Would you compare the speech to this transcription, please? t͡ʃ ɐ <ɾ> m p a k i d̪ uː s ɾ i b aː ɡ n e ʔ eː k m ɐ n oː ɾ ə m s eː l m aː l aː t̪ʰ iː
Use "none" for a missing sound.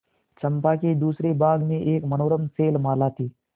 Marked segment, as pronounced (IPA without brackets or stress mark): none